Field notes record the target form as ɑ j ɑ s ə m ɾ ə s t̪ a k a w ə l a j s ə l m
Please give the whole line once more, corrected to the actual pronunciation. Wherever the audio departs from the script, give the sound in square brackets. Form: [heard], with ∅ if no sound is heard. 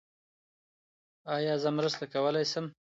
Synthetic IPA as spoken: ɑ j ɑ [z] ə m ɾ ə s t̪ a k a w ə l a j s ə [∅] m